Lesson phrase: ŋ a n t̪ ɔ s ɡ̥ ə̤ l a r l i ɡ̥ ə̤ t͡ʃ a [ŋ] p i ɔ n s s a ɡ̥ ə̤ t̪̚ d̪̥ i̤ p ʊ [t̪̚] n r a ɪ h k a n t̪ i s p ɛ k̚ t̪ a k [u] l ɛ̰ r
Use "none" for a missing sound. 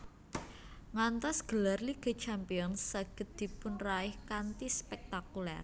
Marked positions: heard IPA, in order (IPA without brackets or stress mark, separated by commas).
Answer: m, none, u